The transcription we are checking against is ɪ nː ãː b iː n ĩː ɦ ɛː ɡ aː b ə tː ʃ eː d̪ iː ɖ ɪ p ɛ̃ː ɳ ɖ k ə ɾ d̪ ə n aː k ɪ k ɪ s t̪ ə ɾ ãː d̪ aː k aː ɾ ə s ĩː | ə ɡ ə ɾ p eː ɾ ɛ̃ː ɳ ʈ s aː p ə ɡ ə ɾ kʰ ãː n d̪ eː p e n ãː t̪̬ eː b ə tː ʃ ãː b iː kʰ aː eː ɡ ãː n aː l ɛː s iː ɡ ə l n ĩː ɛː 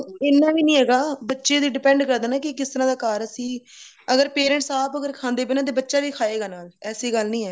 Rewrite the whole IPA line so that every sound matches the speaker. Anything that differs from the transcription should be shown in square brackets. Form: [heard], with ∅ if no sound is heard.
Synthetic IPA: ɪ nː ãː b iː n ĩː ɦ ɛː ɡ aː b ə tː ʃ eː d̪ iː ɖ ɪ p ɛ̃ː ɳ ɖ k ə ɾ d̪ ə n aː k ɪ k ɪ s t̪ ə ɾ ãː d̪ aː k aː ɾ ə s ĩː | ə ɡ ə ɾ p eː ɾ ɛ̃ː ɳ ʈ s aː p ə ɡ ə ɾ kʰ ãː n d̪ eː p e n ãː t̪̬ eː b ə tː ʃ [aː] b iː kʰ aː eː ɡ [aː] n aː l ɛː s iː ɡ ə l n ĩː ɛː